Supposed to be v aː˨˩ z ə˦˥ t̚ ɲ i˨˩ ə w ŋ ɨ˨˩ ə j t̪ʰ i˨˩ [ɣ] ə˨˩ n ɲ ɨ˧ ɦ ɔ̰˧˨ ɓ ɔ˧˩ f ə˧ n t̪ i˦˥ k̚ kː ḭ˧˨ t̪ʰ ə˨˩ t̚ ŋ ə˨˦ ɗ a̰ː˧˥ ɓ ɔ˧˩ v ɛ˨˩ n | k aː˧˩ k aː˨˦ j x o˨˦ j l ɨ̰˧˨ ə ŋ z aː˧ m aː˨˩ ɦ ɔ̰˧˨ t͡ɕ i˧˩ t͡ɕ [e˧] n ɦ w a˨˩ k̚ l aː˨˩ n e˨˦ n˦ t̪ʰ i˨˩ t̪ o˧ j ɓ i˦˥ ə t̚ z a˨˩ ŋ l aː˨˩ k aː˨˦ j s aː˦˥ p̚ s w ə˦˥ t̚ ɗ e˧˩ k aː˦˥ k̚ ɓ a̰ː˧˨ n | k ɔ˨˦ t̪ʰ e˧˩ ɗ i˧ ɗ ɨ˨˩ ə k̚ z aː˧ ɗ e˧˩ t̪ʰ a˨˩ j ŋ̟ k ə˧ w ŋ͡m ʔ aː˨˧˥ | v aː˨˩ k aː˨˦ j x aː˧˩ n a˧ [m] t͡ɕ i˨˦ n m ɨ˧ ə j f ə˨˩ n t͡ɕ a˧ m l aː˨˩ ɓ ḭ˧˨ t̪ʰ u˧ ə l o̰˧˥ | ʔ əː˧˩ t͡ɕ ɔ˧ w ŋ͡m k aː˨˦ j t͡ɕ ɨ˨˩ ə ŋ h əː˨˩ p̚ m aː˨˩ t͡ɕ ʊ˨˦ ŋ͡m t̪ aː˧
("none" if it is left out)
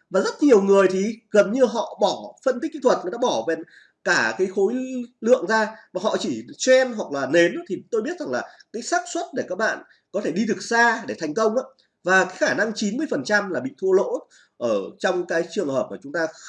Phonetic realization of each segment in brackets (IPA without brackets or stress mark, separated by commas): ɣ, ɛ˧, ŋ